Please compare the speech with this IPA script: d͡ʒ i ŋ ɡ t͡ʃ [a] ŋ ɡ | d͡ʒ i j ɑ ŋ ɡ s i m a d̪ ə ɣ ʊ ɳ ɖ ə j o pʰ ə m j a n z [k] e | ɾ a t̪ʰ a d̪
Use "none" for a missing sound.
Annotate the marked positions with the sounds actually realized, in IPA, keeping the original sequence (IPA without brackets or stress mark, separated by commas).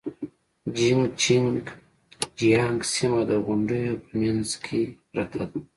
i, kʰ